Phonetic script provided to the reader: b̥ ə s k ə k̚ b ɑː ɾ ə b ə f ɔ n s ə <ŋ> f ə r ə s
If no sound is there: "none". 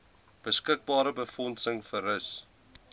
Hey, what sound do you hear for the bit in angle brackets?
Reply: ŋ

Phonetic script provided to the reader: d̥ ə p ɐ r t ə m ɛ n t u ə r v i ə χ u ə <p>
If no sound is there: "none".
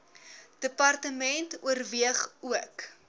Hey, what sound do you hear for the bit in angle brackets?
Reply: k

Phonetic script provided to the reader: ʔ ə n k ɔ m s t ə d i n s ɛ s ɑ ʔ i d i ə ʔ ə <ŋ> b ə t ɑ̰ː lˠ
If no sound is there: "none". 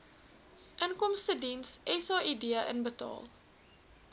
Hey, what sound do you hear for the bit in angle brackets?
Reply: n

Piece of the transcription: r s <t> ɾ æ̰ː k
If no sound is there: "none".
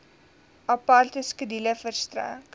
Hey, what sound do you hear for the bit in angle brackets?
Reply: t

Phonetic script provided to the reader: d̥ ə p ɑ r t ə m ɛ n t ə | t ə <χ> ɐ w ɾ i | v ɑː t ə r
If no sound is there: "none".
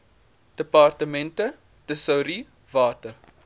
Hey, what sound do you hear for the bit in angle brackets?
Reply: s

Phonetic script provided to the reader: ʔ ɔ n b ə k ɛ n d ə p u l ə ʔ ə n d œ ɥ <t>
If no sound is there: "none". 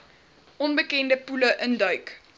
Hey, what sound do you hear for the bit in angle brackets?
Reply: k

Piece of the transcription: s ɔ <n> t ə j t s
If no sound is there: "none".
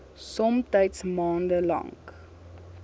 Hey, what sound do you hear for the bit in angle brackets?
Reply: m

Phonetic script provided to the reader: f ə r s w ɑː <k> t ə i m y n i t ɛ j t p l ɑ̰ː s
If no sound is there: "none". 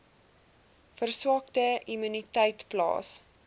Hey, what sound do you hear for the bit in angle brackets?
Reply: k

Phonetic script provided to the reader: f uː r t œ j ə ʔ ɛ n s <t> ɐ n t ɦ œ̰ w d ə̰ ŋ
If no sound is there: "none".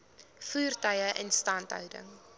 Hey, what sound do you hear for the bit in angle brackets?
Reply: t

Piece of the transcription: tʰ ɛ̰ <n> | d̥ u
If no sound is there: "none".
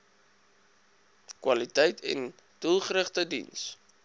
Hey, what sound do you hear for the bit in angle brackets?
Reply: n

